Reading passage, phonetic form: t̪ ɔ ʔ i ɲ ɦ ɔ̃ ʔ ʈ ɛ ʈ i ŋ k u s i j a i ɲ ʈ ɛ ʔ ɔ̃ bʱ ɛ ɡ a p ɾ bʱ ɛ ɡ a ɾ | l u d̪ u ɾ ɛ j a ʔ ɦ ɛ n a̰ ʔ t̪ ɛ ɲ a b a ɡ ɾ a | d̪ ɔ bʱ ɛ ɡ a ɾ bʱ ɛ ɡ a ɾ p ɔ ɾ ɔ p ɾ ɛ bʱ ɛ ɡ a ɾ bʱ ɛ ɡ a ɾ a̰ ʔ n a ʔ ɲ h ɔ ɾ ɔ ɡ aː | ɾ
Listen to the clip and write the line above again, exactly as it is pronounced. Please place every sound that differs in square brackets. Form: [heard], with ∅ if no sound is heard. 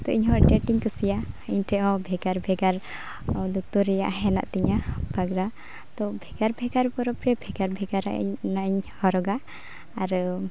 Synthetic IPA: t̪ ɔ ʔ i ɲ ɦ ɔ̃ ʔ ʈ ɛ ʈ i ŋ k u s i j a i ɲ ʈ ɛ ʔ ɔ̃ bʱ ɛ ɡ a [∅] ɾ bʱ ɛ ɡ a ɾ | l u [t̪] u ɾ ɛ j a ʔ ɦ ɛ n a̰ ʔ t̪ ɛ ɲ a b a ɡ ɾ a | [t̪] ɔ bʱ ɛ ɡ a ɾ bʱ ɛ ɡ a ɾ p ɔ ɾ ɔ p ɾ ɛ bʱ ɛ ɡ a ɾ bʱ ɛ ɡ a ɾ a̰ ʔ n a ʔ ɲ h ɔ ɾ ɔ ɡ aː | ɾ